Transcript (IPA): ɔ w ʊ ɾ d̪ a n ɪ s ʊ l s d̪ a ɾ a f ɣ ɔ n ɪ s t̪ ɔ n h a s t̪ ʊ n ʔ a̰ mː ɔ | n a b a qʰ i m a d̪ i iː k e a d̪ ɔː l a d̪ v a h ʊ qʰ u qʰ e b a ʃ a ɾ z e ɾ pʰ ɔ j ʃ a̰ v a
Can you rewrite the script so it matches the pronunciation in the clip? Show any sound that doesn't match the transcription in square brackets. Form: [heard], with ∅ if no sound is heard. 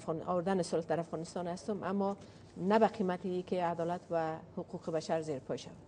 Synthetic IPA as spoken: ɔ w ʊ ɾ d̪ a n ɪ s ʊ l [h] d̪ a ɾ a f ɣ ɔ n ɪ s t̪ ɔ n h a s t̪ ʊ [m] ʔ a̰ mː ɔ | n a b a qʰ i m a [t̪] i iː k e a d̪ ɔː l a [t̪] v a h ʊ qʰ u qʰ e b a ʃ a ɾ z e ɾ pʰ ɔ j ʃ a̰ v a